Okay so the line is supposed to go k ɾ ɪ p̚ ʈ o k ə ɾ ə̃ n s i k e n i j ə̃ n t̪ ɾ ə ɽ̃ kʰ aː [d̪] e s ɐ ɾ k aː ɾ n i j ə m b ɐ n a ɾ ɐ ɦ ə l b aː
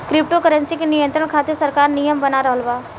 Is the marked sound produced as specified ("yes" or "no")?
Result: no